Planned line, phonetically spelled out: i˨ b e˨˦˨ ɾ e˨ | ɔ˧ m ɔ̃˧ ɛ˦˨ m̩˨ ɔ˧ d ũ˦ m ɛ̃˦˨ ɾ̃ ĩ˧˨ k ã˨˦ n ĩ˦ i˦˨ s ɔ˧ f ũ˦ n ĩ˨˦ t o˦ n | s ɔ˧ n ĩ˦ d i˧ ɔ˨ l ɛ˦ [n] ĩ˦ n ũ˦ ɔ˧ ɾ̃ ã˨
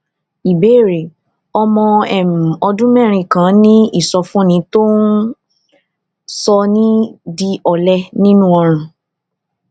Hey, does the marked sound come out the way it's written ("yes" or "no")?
yes